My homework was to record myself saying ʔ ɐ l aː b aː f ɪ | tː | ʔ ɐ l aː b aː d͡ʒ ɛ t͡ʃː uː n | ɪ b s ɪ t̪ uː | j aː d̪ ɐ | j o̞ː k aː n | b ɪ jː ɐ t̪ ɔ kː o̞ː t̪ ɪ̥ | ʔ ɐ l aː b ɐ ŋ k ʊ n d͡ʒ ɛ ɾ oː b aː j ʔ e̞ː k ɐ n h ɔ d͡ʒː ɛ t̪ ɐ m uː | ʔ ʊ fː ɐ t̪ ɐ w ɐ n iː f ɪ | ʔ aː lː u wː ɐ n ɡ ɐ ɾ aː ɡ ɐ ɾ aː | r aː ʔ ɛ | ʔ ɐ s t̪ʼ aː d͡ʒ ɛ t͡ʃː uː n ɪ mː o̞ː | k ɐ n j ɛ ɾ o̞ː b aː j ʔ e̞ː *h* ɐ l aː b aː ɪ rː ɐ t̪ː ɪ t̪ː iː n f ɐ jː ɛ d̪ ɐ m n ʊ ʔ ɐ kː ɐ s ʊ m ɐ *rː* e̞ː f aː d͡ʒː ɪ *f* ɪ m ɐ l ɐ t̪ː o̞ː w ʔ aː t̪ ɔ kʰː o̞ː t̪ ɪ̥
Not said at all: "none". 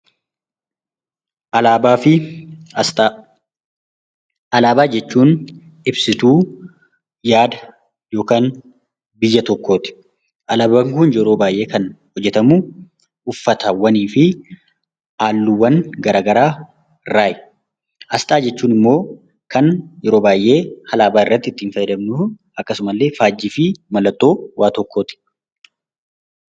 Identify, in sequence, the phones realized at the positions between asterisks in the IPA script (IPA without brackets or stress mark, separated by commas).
h, lː, f